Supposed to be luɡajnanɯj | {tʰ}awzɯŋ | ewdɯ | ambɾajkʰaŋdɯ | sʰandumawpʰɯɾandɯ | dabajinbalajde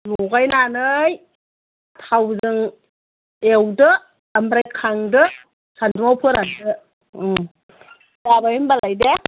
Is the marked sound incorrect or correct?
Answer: correct